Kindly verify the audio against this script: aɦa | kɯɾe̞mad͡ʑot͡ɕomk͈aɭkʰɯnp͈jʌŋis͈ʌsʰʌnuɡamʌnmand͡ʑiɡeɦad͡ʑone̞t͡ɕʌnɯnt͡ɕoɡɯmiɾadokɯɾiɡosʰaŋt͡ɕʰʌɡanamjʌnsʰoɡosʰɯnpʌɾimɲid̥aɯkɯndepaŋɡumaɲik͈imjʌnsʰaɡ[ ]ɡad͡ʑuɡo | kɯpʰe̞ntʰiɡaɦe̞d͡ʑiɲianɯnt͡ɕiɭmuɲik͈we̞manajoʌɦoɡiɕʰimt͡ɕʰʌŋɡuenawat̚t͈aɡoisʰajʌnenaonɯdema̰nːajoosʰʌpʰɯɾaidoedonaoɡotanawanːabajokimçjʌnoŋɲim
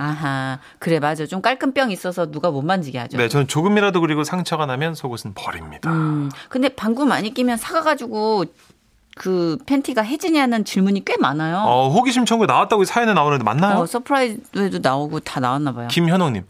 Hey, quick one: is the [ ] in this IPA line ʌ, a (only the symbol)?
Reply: a